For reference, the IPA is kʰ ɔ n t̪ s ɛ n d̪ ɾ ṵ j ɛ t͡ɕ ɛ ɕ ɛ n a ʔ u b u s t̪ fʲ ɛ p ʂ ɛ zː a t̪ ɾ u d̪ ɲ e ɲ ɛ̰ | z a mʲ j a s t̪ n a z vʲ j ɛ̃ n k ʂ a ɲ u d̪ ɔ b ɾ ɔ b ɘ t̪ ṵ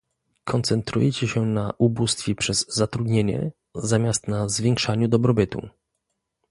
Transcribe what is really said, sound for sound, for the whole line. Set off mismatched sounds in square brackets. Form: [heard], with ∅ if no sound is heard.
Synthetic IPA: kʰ ɔ n t̪ s ɛ n [t̪] ɾ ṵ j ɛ t͡ɕ ɛ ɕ ɛ n a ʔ u b u s t̪ fʲ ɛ p ʂ ɛ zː a t̪ ɾ u d̪ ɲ e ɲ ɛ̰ | z a mʲ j a s t̪ n a z vʲ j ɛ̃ [ŋ] k ʂ a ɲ u d̪ ɔ b ɾ ɔ b ɘ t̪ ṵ